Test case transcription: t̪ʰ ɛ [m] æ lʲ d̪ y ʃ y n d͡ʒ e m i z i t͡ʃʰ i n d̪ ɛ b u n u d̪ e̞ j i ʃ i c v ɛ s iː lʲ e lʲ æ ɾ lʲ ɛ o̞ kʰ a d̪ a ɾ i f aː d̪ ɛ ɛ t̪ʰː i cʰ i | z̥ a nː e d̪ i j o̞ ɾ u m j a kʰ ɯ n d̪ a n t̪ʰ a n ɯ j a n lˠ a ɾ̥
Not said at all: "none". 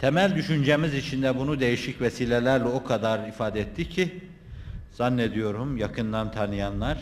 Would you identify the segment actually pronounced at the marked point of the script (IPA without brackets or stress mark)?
m